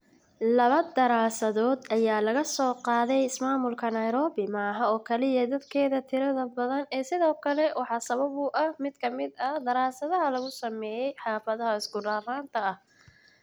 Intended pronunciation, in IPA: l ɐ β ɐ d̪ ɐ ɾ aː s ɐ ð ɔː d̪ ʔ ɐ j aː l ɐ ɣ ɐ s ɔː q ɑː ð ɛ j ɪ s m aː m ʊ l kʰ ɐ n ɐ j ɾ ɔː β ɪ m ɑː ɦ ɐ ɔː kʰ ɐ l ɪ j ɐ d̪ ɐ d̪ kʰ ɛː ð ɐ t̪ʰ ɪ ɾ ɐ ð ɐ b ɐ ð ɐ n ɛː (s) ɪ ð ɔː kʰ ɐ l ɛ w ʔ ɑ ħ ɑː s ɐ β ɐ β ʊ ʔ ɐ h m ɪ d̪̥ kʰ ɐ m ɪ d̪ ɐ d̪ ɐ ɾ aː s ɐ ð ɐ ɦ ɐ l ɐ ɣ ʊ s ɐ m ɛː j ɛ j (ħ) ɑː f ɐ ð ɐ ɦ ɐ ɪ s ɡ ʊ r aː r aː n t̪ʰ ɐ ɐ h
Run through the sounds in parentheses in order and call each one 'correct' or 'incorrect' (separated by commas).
correct, correct